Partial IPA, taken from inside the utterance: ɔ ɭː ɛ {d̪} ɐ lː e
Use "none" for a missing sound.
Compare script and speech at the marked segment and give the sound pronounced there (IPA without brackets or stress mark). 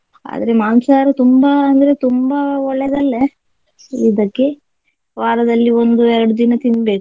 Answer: d̪